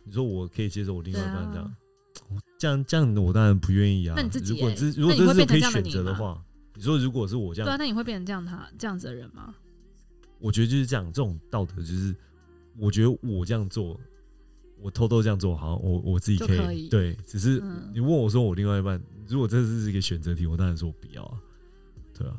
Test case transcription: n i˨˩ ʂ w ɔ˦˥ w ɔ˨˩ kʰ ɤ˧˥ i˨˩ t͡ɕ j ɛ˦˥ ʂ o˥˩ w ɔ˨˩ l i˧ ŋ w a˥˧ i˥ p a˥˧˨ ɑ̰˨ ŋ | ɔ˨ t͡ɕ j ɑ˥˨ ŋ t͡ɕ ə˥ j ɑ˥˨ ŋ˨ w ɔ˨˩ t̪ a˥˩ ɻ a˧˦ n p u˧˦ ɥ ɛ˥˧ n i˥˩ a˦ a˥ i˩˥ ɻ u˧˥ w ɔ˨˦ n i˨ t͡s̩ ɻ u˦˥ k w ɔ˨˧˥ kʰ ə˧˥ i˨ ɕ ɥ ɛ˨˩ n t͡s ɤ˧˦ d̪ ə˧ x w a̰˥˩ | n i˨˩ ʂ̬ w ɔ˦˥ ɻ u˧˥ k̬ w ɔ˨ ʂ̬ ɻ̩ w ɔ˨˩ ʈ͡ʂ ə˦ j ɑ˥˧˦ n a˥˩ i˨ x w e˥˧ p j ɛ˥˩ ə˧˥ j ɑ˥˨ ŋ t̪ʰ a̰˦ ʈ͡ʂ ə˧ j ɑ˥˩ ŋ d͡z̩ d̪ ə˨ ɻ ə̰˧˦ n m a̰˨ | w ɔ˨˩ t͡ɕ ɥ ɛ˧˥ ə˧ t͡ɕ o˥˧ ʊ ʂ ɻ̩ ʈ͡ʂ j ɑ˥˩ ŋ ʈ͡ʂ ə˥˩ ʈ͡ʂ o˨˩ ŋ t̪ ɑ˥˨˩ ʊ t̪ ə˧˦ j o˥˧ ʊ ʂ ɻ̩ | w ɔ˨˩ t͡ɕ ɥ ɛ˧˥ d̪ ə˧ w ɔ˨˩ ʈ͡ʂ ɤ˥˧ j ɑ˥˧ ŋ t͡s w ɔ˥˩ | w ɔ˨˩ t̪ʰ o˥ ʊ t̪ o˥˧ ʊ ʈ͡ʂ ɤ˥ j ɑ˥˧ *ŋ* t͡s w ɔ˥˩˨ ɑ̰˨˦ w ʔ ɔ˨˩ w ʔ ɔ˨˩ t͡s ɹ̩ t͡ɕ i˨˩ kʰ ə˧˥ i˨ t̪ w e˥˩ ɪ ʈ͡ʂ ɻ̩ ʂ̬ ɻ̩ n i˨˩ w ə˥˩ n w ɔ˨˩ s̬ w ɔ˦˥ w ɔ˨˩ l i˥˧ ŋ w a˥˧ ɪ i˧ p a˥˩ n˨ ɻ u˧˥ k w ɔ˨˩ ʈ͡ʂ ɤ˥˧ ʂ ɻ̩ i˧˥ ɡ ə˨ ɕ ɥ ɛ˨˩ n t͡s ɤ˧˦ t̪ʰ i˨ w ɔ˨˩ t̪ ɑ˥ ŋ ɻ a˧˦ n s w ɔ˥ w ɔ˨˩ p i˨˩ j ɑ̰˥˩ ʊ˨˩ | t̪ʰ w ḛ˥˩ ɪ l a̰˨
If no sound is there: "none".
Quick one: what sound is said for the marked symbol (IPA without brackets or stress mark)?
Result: ŋ